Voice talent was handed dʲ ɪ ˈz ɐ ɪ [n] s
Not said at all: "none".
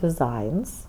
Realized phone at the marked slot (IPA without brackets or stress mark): n